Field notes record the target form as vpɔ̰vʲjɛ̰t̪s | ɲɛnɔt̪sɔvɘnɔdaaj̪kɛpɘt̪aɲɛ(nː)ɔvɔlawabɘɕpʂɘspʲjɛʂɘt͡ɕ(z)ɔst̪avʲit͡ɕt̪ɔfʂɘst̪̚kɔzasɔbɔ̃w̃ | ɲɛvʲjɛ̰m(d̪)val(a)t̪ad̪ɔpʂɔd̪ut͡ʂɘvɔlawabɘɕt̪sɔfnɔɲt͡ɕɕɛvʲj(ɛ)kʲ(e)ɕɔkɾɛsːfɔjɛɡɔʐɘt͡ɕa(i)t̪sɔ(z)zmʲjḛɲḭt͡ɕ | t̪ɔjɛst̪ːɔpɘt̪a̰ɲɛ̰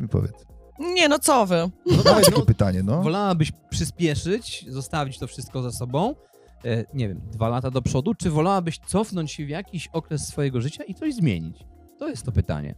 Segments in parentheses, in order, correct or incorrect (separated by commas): incorrect, correct, correct, correct, incorrect, incorrect, correct, incorrect